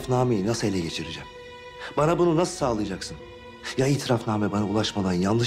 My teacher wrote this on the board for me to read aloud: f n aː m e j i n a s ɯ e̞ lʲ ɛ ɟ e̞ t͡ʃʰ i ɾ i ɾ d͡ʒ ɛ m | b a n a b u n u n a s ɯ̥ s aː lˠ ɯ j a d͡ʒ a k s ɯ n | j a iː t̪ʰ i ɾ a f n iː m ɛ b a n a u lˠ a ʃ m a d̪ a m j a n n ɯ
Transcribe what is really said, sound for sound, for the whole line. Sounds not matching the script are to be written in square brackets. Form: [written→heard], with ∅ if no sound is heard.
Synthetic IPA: f n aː m e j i n a s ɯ e̞ lʲ ɛ ɟ e̞ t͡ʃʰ i ɾ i [ɾ→∅] d͡ʒ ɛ m | b a n a b u n u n a s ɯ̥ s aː lˠ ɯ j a d͡ʒ a k s ɯ n | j a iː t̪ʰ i ɾ a f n [iː→aː] m ɛ b a n a u lˠ a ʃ m a d̪ a [m→n] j a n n ɯ